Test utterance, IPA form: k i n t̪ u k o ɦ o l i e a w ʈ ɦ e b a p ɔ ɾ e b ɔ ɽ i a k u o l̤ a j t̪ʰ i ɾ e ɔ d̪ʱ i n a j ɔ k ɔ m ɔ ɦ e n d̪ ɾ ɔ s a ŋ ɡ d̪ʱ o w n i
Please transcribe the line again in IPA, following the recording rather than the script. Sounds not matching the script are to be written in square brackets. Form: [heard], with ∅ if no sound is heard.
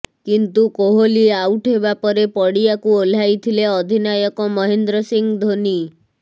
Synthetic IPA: k i n t̪ u k o ɦ o l i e a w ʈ ɦ e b a p ɔ ɾ e [p] ɔ ɽ i a k u o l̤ a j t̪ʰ i [l] e ɔ d̪ʱ i n a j ɔ k ɔ m ɔ ɦ e n d̪ ɾ ɔ s [i] ŋ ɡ d̪ʱ o [∅] n i